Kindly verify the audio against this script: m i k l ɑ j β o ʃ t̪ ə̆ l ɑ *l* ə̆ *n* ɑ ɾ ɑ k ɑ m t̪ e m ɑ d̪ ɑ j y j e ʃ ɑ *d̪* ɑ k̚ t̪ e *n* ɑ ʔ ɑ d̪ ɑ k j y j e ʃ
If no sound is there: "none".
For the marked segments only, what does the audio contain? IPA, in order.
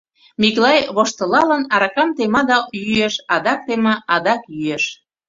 l, n, d̪, m

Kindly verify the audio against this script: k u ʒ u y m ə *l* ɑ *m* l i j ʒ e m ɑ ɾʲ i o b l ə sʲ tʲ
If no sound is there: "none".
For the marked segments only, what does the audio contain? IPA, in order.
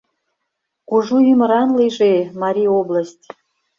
ɾ, n

